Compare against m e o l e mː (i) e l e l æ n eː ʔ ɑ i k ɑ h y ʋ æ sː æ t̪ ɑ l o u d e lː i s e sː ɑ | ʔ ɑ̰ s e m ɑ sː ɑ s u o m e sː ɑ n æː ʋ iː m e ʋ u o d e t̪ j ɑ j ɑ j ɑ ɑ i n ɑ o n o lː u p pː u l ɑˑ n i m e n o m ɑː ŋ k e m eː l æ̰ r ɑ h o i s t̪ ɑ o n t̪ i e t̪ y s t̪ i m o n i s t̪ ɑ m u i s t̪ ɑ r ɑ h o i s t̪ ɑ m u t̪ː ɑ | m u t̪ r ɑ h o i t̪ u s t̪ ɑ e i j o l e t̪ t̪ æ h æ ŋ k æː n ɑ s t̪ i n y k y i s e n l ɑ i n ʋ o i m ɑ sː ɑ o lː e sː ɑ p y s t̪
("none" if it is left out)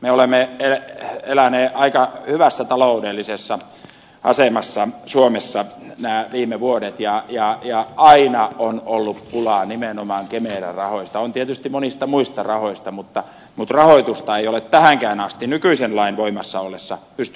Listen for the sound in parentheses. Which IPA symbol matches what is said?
e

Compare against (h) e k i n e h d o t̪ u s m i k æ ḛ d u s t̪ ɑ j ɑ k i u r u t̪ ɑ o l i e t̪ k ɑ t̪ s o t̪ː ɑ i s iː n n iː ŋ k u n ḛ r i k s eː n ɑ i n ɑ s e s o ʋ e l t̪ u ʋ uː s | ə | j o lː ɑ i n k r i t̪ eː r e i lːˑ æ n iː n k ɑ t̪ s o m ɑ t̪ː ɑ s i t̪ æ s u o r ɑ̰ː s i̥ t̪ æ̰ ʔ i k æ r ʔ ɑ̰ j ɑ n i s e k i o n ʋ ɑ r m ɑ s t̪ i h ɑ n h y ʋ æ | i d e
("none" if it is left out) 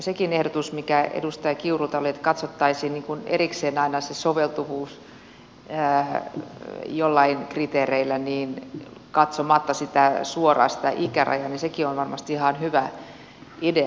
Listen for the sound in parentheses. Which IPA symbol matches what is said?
s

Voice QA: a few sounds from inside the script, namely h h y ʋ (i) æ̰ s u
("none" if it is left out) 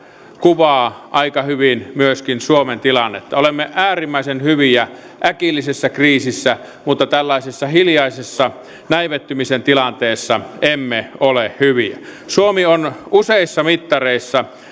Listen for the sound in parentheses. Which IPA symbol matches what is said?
i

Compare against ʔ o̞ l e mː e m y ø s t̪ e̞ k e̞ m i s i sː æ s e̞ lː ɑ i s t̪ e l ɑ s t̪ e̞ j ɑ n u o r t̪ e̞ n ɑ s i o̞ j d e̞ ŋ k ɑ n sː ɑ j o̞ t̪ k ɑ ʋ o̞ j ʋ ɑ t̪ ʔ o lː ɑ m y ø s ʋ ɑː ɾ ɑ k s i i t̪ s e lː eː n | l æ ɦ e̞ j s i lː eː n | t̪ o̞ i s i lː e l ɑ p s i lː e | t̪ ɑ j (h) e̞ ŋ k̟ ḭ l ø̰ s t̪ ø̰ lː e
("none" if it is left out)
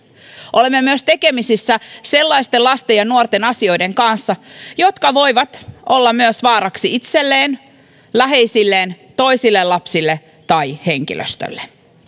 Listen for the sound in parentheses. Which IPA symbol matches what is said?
h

